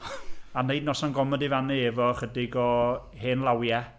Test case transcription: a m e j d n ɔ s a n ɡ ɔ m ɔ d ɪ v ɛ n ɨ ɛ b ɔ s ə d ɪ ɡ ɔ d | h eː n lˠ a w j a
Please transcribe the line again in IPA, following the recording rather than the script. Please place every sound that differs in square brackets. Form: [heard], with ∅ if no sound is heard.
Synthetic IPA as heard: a [n] e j d n ɔ s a n ɡ ɔ m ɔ d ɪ v [a] n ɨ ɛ [v] ɔ [χ] ə d ɪ ɡ ɔ [∅] | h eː n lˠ a w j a